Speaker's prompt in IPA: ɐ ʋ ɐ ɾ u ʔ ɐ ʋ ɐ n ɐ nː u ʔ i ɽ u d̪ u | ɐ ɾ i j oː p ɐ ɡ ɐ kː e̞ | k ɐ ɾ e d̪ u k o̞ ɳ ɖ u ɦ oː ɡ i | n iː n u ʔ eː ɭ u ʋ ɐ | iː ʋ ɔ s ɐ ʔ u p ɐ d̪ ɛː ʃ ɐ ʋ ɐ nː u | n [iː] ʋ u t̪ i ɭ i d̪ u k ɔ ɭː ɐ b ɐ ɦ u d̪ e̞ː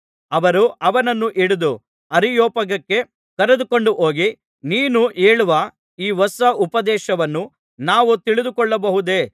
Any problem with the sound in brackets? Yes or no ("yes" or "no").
yes